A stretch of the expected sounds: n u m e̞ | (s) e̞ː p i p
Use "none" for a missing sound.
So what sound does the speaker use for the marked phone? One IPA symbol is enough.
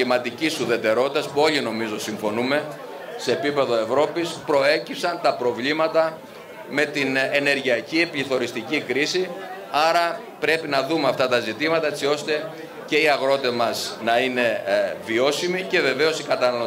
s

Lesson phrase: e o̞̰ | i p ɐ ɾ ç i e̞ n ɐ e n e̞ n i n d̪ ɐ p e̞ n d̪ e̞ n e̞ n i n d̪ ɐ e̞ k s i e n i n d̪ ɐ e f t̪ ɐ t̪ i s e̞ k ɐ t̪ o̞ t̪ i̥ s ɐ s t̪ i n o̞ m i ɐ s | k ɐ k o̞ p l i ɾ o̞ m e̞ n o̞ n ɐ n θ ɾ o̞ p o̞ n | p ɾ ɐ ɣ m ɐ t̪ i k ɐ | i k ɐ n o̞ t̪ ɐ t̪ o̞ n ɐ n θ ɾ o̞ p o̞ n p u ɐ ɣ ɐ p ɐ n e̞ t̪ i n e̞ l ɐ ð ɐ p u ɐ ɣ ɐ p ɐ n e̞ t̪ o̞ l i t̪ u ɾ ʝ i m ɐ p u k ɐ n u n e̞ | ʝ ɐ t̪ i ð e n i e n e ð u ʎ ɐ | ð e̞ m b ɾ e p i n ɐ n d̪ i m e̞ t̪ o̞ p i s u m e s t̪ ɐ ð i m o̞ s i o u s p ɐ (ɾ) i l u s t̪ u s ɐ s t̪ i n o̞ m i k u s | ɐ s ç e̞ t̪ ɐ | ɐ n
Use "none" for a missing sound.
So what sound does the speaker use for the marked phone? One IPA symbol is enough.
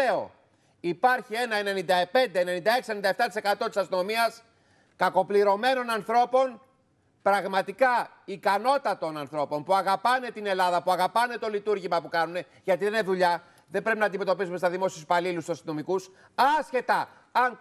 l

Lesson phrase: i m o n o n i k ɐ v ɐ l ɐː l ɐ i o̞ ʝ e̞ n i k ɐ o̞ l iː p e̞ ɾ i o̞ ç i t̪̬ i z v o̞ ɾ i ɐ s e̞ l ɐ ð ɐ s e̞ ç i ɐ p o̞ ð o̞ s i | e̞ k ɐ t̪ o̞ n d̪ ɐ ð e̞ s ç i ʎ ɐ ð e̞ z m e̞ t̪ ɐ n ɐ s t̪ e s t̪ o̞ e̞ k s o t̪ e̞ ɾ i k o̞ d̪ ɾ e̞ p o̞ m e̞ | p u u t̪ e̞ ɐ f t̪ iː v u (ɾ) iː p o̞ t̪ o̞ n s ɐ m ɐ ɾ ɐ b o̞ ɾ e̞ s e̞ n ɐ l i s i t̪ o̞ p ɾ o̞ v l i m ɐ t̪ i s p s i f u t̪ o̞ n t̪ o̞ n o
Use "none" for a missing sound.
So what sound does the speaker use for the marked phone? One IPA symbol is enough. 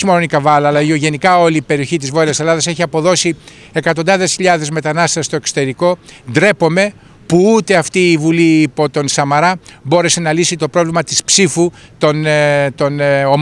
l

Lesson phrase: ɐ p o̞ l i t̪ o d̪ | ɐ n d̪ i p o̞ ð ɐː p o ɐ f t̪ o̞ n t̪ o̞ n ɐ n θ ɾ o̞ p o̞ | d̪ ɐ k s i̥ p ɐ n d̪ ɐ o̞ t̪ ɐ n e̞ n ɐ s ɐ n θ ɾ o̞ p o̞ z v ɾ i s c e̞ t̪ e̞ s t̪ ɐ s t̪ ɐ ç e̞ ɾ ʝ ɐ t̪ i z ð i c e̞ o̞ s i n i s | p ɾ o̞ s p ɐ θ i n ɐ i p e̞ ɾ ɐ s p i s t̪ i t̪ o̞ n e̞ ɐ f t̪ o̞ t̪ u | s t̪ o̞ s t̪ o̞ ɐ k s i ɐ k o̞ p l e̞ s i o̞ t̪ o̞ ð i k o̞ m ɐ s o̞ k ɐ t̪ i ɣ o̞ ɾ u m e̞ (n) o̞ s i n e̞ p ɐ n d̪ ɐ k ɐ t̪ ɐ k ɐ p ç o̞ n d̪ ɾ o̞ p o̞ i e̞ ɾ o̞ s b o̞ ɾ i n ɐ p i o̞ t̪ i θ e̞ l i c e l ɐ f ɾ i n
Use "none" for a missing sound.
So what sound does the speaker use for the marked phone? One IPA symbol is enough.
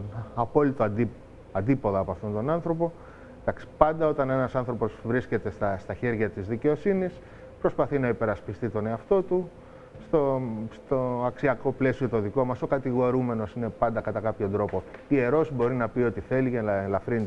n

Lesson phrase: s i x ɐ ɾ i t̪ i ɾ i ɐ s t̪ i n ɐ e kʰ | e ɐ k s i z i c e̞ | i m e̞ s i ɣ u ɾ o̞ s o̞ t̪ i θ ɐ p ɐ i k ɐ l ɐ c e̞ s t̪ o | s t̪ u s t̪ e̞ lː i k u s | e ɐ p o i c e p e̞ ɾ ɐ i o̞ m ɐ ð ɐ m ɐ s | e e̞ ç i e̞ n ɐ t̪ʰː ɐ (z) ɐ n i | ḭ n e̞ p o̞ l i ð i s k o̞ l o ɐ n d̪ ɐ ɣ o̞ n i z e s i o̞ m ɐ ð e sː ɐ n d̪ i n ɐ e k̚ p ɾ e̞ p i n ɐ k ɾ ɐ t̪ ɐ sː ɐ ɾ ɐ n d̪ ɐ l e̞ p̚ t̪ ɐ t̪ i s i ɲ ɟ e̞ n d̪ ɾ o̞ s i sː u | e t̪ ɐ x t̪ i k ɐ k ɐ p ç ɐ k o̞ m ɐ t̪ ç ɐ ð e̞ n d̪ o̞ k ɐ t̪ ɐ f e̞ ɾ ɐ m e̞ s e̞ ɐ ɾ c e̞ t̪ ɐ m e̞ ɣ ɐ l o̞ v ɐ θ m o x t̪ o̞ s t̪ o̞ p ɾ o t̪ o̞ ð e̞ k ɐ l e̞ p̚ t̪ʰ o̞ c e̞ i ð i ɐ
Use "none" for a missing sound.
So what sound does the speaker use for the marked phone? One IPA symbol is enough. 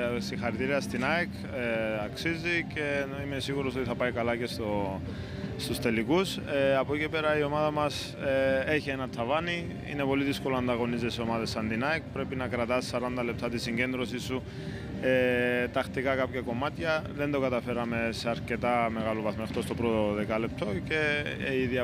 v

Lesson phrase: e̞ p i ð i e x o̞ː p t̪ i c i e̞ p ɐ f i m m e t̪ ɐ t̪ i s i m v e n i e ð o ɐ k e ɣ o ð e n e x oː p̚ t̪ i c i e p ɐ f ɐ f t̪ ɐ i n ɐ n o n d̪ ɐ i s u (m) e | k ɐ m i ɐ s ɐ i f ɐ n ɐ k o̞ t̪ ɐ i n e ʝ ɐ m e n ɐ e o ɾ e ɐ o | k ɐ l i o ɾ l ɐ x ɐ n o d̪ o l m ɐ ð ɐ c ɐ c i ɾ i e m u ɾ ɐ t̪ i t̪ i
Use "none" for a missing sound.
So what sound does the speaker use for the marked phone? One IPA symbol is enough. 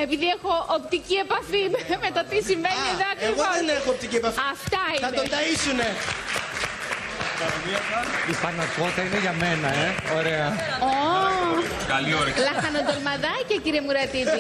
n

